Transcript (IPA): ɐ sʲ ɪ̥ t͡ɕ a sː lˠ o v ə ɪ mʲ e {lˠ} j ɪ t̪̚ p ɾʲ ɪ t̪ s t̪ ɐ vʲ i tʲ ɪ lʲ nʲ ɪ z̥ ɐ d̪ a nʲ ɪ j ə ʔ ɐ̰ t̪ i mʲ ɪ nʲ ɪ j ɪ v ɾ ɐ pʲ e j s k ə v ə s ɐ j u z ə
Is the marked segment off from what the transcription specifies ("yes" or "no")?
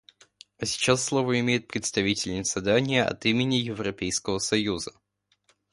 yes